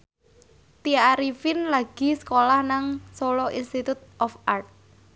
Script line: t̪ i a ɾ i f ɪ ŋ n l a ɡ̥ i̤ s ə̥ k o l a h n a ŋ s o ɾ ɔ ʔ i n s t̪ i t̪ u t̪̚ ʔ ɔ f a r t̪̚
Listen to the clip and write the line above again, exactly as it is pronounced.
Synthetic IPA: t̪ i a ɾ i f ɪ n l a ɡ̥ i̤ s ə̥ k o l a h n a ŋ s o l ɔ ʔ i n s t̪ i t̪ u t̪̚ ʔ ɔ f a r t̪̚